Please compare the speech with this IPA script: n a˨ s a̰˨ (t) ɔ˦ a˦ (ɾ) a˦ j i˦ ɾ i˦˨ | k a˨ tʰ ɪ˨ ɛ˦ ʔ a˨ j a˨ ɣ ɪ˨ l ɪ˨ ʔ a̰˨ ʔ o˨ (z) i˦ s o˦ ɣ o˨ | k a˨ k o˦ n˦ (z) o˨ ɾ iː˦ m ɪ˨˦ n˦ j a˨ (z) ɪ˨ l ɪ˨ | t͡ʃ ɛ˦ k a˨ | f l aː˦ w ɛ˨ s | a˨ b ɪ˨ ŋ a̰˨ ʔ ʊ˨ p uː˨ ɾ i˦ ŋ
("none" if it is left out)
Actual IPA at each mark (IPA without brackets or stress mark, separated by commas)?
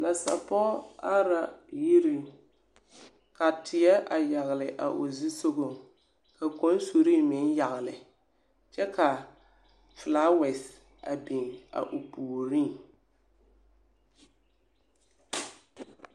p, ɾ, z, s, ɣ